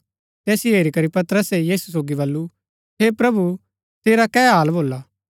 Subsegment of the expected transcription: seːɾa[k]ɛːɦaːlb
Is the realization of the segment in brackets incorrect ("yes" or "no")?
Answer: no